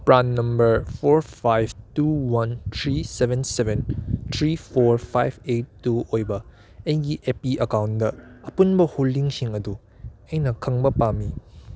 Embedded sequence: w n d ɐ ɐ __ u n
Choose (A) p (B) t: A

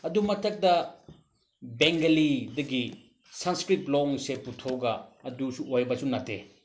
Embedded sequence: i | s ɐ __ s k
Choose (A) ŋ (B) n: B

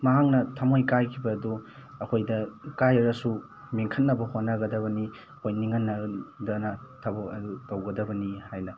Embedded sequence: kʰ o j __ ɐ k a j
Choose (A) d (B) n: A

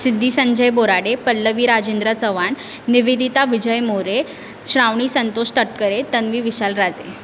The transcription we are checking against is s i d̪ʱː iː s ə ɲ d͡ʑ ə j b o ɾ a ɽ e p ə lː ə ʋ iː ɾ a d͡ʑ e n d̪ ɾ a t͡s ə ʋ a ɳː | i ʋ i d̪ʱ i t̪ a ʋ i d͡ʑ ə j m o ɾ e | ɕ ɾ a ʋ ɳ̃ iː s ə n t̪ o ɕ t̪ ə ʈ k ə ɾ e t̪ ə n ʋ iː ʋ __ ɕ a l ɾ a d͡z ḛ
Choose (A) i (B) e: A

